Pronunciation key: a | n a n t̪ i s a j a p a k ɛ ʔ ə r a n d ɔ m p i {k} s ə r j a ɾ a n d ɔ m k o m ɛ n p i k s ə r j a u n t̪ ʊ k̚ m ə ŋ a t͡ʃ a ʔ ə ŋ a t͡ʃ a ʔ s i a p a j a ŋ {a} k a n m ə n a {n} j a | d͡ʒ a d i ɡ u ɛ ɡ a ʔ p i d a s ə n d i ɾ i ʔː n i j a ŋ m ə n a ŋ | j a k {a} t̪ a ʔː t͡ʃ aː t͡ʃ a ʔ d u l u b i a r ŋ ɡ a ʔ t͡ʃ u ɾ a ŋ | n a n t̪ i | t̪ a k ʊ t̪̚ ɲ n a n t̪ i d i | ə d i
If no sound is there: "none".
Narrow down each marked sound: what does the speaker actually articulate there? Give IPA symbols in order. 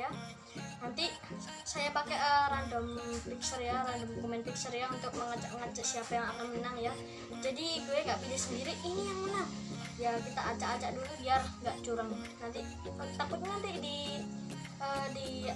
k, a, ŋ, i

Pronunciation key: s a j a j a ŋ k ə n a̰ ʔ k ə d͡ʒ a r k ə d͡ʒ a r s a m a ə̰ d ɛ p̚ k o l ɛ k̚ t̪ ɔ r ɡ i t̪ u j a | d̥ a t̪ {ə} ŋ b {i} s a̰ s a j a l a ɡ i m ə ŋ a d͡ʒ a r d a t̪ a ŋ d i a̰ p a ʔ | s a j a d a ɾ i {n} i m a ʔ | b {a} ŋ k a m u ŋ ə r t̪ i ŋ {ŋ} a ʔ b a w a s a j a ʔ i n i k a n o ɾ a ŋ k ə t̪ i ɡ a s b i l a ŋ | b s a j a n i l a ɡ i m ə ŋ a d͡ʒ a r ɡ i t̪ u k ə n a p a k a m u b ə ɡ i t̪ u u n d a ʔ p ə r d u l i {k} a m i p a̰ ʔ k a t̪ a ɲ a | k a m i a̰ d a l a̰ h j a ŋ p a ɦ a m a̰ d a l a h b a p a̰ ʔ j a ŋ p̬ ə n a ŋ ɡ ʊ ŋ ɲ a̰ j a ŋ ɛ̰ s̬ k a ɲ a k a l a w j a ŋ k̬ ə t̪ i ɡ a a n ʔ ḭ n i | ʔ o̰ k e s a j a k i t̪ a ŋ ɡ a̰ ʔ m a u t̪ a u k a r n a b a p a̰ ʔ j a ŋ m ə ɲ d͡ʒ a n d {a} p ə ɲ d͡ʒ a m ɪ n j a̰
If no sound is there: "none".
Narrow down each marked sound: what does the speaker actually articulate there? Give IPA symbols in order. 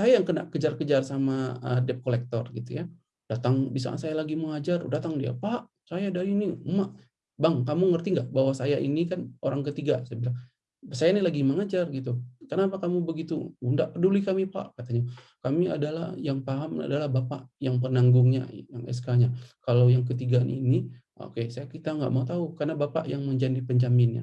a, i, n, a, ɡ, k, i

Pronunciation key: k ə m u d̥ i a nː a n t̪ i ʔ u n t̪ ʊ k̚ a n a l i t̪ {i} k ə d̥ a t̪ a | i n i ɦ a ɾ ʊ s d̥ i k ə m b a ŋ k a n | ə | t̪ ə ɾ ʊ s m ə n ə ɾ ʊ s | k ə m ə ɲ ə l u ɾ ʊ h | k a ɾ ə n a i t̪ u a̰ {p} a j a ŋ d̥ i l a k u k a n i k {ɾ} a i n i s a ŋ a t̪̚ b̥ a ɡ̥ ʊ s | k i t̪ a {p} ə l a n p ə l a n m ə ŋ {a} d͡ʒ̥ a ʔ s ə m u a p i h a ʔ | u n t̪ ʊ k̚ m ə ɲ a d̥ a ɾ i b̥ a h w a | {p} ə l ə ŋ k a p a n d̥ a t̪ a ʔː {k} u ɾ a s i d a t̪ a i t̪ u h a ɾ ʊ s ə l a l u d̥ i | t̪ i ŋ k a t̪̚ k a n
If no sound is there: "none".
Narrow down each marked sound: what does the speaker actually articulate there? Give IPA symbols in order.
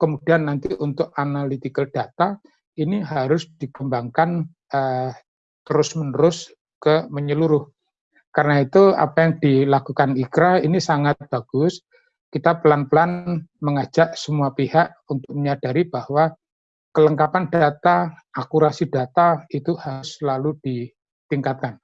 i, p, ɾ, p, a, k, k

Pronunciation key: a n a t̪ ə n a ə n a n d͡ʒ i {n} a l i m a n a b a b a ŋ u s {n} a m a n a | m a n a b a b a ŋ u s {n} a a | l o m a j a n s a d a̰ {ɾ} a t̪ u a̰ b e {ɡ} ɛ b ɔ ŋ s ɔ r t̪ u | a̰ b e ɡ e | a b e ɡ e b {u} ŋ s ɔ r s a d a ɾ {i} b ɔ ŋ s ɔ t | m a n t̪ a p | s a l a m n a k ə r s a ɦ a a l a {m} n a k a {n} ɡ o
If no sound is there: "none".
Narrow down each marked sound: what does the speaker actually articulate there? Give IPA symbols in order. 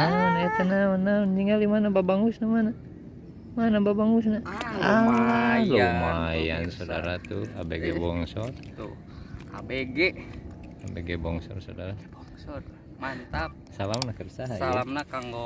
ŋ, n, n, ɾ, ɡ, ɔ, a, m, ŋ

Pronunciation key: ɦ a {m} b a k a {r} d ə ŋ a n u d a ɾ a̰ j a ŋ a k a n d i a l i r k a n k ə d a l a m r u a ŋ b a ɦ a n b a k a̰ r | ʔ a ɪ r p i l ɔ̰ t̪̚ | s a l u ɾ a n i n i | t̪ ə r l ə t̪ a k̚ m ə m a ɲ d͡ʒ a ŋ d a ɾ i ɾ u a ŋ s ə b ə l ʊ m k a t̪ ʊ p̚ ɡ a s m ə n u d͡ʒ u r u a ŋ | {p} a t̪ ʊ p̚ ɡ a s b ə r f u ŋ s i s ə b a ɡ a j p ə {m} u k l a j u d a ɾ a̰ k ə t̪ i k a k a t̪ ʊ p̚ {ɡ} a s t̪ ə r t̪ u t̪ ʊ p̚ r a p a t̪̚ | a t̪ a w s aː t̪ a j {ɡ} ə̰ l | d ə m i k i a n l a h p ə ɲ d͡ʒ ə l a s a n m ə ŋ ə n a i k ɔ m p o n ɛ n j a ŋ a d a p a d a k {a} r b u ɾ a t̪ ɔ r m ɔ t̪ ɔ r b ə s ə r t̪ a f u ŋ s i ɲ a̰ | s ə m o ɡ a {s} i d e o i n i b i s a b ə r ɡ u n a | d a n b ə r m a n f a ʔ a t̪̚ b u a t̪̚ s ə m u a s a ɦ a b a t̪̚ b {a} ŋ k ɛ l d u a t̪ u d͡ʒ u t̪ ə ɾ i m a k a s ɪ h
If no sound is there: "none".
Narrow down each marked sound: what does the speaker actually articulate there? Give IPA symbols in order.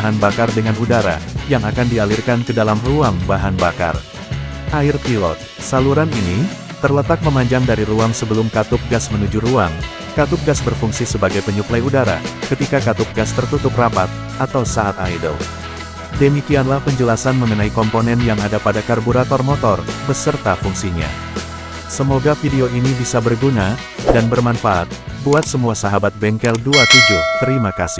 n, r, k, ɲ, ɡ, d, a, f, ɛ

